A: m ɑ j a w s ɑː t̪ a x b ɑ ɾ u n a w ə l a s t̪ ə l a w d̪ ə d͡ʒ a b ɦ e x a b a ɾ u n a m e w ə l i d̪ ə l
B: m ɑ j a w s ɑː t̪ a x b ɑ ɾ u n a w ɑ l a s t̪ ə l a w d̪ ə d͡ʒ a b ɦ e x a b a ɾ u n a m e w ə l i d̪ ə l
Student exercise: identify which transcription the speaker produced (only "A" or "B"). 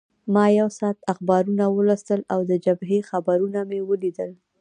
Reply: A